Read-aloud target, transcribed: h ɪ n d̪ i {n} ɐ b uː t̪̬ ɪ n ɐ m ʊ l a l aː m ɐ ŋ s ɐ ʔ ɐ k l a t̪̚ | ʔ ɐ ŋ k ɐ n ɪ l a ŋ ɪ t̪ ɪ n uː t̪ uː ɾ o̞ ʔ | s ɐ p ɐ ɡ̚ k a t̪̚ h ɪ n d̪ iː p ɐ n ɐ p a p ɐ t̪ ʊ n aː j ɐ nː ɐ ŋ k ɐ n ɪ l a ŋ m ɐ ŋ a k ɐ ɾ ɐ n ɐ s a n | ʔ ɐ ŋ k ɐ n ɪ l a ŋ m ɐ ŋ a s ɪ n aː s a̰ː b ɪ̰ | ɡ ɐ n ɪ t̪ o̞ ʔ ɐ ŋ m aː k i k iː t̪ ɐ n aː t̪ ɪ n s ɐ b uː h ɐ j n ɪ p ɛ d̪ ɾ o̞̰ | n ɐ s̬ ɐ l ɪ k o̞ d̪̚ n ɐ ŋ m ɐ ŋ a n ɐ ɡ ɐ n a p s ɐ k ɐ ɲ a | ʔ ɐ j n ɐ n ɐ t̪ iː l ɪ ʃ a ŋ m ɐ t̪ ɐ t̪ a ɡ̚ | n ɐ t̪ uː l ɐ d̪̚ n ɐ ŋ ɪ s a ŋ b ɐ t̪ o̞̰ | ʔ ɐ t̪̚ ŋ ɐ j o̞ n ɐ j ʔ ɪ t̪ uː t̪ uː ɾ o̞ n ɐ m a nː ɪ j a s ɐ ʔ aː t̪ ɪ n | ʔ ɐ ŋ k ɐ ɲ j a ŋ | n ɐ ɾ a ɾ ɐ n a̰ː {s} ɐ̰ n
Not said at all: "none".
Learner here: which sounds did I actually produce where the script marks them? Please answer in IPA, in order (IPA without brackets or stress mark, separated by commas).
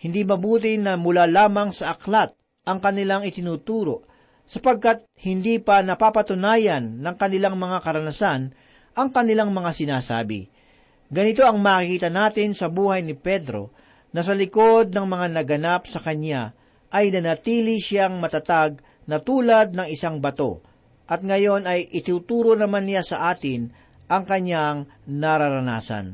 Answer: m, s